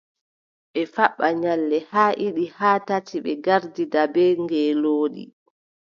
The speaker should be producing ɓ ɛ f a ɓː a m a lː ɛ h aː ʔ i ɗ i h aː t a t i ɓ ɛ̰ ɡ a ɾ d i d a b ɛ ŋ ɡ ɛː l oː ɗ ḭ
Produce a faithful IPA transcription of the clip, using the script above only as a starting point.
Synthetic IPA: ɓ ɛ f a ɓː a ɲ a lː ɛ h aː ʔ i ɗ i h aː t a t i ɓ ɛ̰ ɡ a ɾ d i d a b ɛ ŋ ɡ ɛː l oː ɗ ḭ